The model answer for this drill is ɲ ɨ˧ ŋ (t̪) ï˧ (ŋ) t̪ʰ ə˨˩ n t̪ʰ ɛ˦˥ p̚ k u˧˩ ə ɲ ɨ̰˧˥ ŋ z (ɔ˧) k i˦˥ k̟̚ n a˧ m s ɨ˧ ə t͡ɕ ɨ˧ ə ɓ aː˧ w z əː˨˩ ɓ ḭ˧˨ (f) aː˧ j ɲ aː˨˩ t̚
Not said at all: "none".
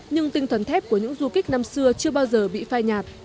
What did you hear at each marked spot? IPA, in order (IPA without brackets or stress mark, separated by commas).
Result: t̪, ŋ, u˧, f